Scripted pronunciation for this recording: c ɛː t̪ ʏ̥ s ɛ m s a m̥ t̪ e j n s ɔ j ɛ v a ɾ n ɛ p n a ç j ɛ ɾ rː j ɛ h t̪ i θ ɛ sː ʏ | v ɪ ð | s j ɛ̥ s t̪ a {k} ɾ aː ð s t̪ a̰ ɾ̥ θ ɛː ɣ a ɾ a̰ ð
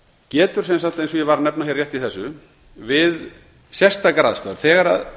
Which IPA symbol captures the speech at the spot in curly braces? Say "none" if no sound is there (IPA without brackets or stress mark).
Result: k